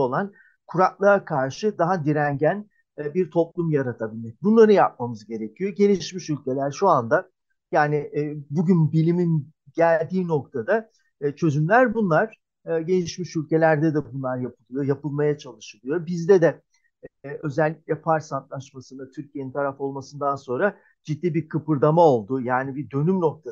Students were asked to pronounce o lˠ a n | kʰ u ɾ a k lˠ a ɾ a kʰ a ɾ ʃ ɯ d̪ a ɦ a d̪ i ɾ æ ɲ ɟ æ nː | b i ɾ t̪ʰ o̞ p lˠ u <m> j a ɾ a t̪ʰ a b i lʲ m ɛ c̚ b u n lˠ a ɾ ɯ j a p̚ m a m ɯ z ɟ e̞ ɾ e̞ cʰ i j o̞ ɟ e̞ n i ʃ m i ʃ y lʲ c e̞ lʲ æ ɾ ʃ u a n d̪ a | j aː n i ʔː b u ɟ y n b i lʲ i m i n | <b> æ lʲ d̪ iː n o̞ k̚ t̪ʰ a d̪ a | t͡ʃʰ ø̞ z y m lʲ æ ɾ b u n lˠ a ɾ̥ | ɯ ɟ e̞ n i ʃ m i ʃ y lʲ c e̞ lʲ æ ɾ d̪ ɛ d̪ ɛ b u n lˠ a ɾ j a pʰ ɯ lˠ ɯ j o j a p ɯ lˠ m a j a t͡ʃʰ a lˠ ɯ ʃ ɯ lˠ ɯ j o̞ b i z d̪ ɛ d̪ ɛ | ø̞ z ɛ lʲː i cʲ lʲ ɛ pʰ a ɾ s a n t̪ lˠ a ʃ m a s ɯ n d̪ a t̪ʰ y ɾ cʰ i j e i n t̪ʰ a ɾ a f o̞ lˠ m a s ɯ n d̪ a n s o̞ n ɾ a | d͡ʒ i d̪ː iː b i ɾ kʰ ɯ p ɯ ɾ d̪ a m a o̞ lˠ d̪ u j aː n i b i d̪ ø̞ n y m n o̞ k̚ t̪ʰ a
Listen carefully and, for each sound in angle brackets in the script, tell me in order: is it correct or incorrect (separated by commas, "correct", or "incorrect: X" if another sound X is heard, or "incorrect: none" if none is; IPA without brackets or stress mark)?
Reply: correct, incorrect: ɟ